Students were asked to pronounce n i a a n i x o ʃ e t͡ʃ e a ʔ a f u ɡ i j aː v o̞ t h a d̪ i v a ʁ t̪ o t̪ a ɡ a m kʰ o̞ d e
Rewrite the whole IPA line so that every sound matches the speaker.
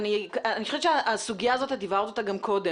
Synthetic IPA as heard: n i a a n i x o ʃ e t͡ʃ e a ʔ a s u ɡ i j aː z o̞ t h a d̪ i v a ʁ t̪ o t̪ a ɡ a m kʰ o̞ d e